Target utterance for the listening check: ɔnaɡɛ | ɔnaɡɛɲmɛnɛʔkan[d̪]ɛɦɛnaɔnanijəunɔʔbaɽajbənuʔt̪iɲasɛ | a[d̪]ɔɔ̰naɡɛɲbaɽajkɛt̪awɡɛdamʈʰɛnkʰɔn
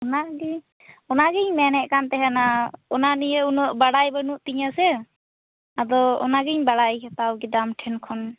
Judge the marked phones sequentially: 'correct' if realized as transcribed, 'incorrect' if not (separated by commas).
incorrect, correct